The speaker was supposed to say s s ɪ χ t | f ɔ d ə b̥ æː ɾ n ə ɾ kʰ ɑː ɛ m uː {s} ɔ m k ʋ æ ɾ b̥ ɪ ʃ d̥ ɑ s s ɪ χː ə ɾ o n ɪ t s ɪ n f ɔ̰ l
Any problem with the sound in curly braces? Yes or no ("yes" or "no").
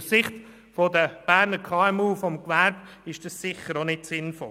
yes